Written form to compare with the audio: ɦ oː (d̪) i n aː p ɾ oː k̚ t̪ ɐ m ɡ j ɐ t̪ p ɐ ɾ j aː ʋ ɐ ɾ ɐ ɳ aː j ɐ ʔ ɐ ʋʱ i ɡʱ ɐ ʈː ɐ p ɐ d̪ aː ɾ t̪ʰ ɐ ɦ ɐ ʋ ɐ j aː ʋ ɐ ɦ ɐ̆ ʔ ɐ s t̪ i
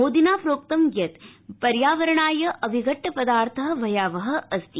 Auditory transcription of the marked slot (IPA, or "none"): d̪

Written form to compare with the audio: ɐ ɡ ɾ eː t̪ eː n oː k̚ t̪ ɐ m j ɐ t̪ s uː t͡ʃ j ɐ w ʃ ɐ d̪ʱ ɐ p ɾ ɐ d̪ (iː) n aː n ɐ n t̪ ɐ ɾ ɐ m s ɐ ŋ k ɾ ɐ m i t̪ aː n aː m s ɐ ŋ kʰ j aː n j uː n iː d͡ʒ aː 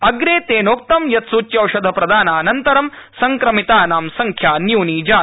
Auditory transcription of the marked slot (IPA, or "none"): aː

